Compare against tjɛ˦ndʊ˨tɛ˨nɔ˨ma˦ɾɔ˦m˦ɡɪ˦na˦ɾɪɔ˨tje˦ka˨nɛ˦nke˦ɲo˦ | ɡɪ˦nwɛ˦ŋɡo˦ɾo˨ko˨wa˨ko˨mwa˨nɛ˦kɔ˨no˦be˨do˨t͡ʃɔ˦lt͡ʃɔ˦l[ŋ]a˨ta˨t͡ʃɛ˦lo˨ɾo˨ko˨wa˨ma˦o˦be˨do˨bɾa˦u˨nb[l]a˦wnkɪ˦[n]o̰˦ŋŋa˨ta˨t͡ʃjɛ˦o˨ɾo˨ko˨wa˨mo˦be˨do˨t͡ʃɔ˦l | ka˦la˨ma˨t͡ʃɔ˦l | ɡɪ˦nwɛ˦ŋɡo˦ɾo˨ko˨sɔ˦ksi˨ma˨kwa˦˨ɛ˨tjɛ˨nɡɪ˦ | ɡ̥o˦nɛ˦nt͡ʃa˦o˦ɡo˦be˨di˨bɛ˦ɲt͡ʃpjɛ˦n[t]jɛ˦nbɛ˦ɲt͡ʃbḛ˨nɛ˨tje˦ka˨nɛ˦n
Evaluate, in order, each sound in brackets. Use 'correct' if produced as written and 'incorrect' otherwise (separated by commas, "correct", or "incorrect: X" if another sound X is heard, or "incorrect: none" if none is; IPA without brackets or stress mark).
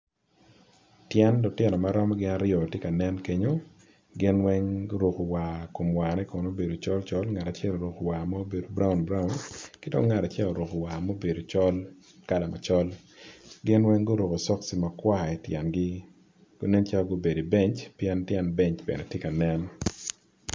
correct, incorrect: ɾ, incorrect: d, correct